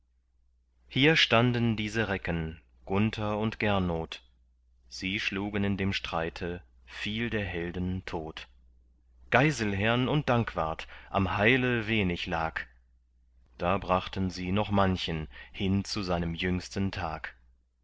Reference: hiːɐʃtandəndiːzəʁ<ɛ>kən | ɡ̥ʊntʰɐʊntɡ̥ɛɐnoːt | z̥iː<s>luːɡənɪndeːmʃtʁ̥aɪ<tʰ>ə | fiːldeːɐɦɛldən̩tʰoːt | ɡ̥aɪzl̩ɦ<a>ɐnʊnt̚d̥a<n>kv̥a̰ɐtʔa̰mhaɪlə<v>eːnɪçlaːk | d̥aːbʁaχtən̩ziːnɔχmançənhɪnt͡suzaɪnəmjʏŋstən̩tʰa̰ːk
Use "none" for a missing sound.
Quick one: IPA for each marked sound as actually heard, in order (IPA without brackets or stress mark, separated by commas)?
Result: ɛ, ʃ, tʰ, ɛ, ŋ, v